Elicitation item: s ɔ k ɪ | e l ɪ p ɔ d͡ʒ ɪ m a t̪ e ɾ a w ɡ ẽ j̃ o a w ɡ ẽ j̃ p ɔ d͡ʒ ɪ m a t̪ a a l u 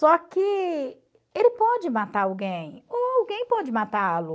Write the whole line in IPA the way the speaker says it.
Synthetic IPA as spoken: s ɔ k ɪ | e l ɪ p ɔ d͡ʒ ɪ m a t̪ a ɾ a w ɡ ẽ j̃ o a w ɡ ẽ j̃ p ɔ d͡ʒ ɪ m a t̪ a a l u